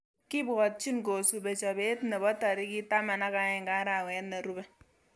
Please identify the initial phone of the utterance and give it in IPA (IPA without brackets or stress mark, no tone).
k